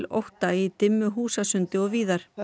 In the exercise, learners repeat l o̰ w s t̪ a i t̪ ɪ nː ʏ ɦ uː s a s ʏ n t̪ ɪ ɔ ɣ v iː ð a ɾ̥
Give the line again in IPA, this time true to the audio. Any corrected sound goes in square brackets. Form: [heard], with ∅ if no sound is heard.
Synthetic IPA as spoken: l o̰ w [h] t̪ a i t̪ ɪ [mː] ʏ ɦ uː s a s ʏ n t̪ ɪ ɔ ɣ v iː ð a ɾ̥

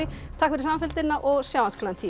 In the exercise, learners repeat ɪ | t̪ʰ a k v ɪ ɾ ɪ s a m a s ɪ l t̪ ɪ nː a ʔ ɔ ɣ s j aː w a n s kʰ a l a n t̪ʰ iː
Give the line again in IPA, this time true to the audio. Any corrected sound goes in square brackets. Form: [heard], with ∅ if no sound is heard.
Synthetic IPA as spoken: ɪ | t̪ʰ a k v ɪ ɾ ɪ s a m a [f] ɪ l t̪ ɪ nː a ʔ ɔ ɣ s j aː w a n s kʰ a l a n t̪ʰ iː

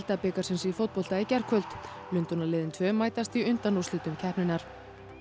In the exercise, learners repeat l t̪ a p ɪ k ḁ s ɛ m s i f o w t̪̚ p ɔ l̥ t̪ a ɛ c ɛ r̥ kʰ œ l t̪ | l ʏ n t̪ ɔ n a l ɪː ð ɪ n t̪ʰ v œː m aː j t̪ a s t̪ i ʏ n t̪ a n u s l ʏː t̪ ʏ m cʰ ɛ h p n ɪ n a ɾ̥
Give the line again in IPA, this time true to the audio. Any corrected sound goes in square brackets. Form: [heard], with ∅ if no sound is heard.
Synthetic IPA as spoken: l t̪ a p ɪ k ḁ s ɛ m s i f o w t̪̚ p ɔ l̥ t̪ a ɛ c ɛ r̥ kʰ œ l t̪ | l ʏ n t̪ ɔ n a l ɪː ð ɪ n t̪ʰ v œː m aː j t̪ a s t̪ i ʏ n t̪ a n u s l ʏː t̪ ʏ m cʰ ɛ h p n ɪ n a ɾ̥

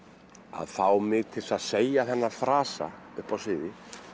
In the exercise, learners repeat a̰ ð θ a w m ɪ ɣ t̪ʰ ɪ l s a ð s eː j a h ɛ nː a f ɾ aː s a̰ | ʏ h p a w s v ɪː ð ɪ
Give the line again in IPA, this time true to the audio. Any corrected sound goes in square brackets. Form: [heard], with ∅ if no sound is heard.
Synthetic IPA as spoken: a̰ ð θ a w m ɪ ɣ t̪ʰ ɪ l s a ð s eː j a [θ] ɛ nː a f ɾ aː s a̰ | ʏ h p a w s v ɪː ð ɪ

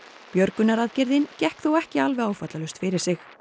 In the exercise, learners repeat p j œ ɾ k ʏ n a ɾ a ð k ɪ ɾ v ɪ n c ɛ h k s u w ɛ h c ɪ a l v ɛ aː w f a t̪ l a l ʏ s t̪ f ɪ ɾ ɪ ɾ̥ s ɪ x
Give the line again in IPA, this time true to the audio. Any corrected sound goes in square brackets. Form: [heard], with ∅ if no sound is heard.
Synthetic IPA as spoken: p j œ ɾ k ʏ n a ɾ a ð [c] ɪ ɾ [ð] ɪ n c ɛ h k [θ] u w ɛ h c ɪ a l v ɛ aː w f a t̪ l a l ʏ s t̪ f ɪ ɾ ɪ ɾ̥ s ɪ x

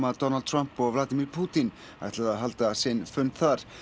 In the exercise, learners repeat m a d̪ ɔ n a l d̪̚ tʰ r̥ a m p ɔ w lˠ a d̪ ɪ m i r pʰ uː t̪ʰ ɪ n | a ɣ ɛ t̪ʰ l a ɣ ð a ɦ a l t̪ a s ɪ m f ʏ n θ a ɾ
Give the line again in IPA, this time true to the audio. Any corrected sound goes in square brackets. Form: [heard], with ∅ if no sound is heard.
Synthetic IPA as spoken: m a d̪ ɔ n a l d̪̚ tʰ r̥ a m p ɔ [v] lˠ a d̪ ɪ m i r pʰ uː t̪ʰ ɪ n | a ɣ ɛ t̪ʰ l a [∅] ð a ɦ a l t̪ a s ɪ [n] f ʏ n θ a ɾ

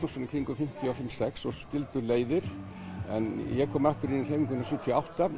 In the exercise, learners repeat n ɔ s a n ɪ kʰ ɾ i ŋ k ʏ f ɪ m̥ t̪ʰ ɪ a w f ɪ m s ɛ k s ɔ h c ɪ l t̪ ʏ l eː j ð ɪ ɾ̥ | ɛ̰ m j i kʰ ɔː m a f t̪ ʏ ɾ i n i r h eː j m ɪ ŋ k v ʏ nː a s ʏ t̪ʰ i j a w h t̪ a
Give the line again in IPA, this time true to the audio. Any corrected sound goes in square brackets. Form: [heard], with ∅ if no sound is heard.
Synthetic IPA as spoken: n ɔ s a n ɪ kʰ ɾ i ŋ k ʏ f ɪ m̥ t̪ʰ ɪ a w f ɪ m s ɛ k s ɔ [s] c ɪ l t̪ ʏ l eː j ð ɪ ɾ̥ | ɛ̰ [n] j [ɛ] kʰ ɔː m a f t̪ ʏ ɾ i n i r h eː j m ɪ ŋ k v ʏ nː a s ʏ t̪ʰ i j a w h t̪ a

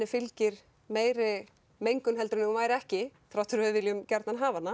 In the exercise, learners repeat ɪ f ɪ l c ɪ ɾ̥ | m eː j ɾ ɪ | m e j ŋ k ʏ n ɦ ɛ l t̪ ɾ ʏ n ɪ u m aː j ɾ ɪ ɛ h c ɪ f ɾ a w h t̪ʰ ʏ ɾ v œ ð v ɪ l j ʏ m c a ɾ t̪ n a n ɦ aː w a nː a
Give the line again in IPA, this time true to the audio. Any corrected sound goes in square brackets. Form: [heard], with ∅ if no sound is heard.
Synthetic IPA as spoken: ɪ f ɪ l c ɪ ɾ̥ | m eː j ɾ ɪ | m e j ŋ k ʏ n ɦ ɛ l t̪ ɾ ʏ n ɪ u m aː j ɾ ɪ ɛ h c ɪ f ɾ a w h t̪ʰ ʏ ɾ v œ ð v ɪ l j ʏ m c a ɾ t̪ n a n ɦ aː [v] a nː a

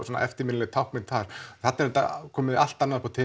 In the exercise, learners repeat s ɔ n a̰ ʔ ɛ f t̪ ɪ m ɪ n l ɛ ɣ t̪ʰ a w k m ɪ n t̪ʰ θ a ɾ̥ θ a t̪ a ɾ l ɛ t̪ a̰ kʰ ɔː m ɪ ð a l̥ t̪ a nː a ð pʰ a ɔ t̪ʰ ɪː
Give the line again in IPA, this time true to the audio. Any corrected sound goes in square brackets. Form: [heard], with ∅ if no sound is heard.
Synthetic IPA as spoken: s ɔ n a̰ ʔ ɛ f t̪ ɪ m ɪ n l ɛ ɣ t̪ʰ a w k m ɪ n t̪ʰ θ a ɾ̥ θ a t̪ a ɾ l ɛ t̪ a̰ kʰ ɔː m ɪ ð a l̥ t̪ a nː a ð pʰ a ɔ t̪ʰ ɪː

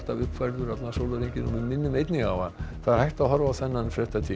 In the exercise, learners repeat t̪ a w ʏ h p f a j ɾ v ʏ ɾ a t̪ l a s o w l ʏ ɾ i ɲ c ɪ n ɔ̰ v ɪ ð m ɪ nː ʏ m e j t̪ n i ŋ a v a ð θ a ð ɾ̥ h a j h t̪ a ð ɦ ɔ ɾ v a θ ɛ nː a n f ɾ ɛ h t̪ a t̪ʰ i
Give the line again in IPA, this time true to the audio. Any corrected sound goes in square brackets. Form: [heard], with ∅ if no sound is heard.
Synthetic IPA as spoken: t̪ a [v] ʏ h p f a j ɾ [ð] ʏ ɾ a t̪ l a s o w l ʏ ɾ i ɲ c ɪ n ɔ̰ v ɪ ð m ɪ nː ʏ m e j t̪ n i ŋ a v a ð θ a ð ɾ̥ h a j h t̪ a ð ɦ ɔ ɾ v a θ ɛ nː a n f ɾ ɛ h t̪ a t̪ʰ i

